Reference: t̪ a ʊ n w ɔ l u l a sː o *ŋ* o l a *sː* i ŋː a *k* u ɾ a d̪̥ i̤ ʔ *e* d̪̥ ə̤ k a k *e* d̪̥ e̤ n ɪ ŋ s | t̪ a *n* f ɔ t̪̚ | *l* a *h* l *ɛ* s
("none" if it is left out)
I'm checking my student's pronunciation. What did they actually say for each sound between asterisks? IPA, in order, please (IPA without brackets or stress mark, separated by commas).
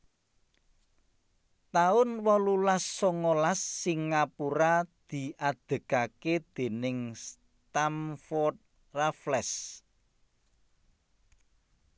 ŋ, sː, p, a, e, m, r, f, ɛ